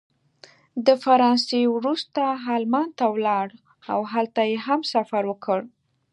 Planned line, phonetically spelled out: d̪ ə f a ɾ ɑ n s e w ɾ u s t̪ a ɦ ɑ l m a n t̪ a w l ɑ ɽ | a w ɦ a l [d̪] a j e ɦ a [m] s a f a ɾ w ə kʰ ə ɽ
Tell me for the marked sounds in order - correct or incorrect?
incorrect: t̪, correct

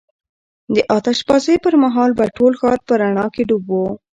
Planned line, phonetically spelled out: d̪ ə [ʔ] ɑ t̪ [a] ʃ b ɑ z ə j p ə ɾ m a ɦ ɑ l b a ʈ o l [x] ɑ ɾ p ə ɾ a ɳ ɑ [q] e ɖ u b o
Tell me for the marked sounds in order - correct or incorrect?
correct, correct, correct, incorrect: k

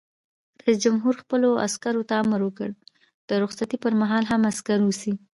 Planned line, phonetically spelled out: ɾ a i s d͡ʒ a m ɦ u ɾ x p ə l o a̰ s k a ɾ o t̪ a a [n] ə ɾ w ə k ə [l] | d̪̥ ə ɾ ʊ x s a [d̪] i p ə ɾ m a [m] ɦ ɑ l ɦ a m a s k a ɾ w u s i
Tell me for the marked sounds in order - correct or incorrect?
incorrect: m, incorrect: ɽ, incorrect: t̪, incorrect: none

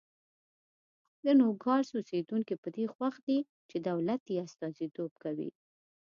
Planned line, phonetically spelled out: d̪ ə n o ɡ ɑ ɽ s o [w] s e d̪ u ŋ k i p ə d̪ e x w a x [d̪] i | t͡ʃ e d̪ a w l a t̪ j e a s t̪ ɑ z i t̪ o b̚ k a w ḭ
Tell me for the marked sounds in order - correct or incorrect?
incorrect: none, correct

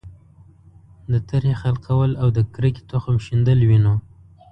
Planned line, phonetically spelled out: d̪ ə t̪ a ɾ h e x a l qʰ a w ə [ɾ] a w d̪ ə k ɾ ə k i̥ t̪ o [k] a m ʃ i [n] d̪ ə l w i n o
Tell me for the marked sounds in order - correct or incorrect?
incorrect: l, incorrect: x, correct

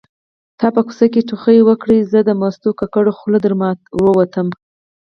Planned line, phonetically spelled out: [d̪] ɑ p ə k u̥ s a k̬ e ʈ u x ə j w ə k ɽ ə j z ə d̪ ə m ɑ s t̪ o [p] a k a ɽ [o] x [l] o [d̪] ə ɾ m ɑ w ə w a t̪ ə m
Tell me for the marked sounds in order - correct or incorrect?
incorrect: t̪, incorrect: k, correct, correct, correct

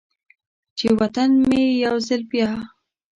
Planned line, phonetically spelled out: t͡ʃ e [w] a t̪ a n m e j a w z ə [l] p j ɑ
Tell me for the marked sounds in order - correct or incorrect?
correct, correct

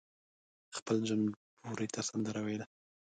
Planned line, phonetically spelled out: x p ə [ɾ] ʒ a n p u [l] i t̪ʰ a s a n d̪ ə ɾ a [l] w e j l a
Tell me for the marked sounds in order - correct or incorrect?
incorrect: l, incorrect: ɾ, incorrect: none

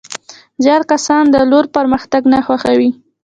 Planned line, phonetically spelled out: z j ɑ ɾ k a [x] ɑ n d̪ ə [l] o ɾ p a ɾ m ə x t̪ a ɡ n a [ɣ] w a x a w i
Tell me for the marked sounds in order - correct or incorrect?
incorrect: s, correct, incorrect: x

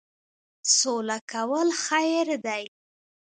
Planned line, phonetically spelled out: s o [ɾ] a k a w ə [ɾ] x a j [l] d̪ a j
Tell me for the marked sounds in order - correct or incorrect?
incorrect: l, incorrect: l, incorrect: ɾ

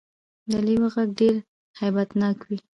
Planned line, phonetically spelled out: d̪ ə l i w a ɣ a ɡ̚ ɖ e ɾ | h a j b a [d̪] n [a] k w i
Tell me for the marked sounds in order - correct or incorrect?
incorrect: t̪, incorrect: ɑ

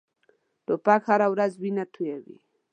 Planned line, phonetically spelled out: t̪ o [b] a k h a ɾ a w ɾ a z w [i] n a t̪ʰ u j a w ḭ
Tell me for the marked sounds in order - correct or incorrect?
incorrect: p, correct

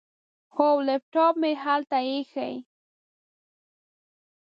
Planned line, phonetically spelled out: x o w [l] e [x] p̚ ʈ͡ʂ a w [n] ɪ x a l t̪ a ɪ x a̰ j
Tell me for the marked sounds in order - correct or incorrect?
correct, incorrect: none, incorrect: m

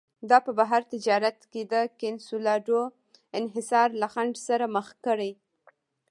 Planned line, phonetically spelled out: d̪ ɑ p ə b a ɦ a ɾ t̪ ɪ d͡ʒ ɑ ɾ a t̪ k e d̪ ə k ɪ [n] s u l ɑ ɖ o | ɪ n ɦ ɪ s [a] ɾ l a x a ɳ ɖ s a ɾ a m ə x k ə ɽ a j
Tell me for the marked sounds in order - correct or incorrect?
correct, incorrect: ɑ

